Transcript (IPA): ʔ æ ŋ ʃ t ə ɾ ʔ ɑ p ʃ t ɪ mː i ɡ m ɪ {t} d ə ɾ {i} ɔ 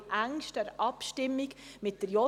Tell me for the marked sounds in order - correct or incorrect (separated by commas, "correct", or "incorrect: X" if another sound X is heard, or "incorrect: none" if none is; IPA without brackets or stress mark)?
correct, incorrect: j